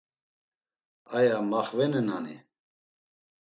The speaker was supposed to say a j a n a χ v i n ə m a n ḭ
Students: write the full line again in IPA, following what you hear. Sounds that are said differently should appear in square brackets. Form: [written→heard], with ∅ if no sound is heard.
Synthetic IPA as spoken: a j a [n→m] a χ v [i→ɛ] n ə [m→n] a n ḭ